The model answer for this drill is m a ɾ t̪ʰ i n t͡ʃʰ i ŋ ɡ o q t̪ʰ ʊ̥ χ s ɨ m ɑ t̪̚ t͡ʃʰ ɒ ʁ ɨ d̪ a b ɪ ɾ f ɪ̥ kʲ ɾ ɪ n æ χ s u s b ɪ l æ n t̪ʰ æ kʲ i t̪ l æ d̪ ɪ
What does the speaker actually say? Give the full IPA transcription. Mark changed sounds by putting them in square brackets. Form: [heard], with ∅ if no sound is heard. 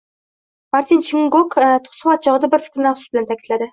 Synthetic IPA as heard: m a ɾ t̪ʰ i n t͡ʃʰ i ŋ ɡ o [k] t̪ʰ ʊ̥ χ s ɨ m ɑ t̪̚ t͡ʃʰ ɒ ʁ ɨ d̪ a b ɪ ɾ f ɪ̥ kʲ ɾ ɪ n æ χ s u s b ɪ l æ n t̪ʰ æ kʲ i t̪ l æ d̪ ɪ